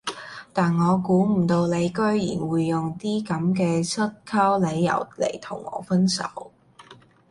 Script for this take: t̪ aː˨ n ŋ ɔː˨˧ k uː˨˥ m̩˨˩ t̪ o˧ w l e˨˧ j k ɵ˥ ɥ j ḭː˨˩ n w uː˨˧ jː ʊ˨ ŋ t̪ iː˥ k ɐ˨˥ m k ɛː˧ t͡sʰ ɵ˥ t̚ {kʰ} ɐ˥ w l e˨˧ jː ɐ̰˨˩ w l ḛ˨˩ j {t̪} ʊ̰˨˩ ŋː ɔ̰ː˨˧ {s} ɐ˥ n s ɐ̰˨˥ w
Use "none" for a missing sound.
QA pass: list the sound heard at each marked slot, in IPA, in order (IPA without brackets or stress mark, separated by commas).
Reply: kʰ, t̪ʰ, f